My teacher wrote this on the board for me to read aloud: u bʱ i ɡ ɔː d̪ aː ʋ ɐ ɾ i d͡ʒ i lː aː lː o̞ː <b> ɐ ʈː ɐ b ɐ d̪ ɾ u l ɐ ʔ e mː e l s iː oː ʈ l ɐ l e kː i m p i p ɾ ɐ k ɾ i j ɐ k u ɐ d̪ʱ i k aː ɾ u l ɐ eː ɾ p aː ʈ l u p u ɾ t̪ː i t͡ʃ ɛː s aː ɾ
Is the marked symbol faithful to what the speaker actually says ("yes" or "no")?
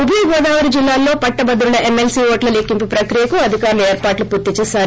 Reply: no